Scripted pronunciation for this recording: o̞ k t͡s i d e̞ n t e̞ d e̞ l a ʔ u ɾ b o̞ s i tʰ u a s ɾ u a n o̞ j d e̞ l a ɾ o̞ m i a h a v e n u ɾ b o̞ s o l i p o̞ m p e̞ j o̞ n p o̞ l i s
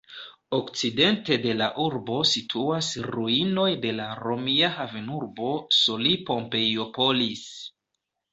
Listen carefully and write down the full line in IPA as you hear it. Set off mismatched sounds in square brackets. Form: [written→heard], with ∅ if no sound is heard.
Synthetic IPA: o̞ k t͡s i d e̞ n t e̞ d e̞ l a ʔ u ɾ b o̞ s i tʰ u a s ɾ u [a→i] n o̞ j d e̞ l a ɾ o̞ m i a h a v e n u ɾ b o̞ s o l i p o̞ m p e̞ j o̞ [n→∅] p o̞ l i s